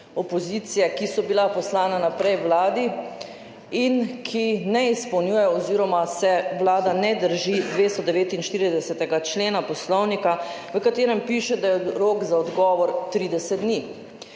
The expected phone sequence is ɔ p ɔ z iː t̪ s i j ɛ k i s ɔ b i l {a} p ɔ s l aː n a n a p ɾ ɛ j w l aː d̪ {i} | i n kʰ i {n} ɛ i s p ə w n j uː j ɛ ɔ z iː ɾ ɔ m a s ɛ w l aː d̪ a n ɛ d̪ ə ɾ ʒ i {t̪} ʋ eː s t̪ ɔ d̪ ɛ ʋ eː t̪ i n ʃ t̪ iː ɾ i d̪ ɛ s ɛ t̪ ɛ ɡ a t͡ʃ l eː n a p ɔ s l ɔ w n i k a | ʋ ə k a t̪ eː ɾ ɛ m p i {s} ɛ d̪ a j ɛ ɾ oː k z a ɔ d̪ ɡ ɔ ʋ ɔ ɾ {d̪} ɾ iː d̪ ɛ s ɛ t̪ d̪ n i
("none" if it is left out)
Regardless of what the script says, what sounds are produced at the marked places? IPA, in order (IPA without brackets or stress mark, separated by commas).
a, i, n, d̪, ʃ, t̪